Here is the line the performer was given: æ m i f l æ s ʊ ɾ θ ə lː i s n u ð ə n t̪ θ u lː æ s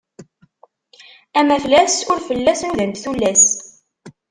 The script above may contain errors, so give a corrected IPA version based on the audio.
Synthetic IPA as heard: æ m æ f l æ s ʊ ɾ f ə lː æ s n u ð ə n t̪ θ u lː æ s

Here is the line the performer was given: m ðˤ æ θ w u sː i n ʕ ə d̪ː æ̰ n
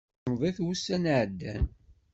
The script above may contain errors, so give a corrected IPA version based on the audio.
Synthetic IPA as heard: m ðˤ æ θ w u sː æ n ʕ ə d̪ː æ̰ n

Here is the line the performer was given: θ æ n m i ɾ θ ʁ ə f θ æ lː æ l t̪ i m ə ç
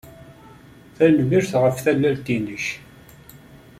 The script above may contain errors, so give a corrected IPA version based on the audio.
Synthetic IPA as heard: θ æ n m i ɾ θ ʁ ə f θ æ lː æ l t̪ i n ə ç

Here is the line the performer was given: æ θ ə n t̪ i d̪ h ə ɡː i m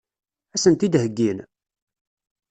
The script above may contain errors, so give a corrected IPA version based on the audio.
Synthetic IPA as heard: æ s ə n t̪ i d̪ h ə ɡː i n

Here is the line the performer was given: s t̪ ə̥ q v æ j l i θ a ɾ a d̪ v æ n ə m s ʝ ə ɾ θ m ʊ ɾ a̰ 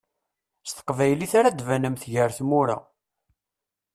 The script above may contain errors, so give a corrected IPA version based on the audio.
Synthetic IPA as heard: s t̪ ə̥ q v æ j l i θ a ɾ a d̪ v æ n ə m θ ʝ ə ɾ θ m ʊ ɾ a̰

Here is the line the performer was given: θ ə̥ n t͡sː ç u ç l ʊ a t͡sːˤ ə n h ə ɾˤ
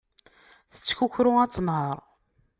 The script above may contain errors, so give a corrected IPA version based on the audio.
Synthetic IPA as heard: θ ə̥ t͡sː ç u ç ɾ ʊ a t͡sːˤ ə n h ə ɾˤ

